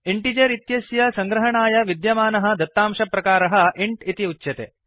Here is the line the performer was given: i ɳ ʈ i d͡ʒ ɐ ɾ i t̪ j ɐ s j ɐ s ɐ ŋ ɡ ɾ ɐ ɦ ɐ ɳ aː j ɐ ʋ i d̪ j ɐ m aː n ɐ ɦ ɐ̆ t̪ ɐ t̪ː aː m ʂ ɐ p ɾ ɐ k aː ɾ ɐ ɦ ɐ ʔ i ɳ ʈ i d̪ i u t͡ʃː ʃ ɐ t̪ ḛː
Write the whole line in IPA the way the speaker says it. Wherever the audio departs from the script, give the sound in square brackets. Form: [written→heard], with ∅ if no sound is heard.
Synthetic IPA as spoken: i ɳ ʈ i d͡ʒ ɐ ɾ i t̪ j ɐ s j ɐ s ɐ ŋ ɡ ɾ ɐ ɦ ɐ ɳ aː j ɐ ʋ i d̪ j ɐ m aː n ɐ ɦ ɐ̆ [t̪→d̪] ɐ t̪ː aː m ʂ ɐ p ɾ ɐ k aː ɾ ɐ ɦ ɐ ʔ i ɳ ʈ i [d̪→t̪] i u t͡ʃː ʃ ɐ t̪ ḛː